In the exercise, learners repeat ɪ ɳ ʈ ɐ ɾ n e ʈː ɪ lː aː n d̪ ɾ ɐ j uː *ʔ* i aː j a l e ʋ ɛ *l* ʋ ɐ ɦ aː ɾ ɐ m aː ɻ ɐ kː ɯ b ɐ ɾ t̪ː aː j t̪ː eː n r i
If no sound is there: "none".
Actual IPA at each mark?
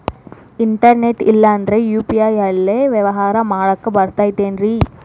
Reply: p, none

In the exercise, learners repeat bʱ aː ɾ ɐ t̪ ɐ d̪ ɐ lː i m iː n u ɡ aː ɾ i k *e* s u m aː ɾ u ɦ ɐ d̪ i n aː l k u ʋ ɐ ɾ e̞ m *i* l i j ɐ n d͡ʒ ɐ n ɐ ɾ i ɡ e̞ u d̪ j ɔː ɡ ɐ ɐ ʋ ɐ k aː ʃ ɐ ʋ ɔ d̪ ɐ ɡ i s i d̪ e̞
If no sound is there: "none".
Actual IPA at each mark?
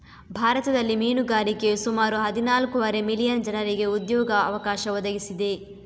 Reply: e, i

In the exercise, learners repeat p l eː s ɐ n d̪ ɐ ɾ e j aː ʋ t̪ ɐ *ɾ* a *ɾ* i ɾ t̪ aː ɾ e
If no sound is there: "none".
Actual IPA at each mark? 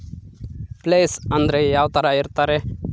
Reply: ɾ, none

